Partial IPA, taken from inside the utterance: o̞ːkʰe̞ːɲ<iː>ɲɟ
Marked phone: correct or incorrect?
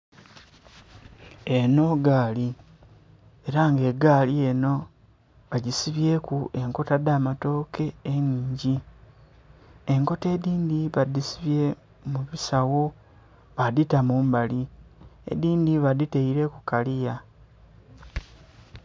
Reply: correct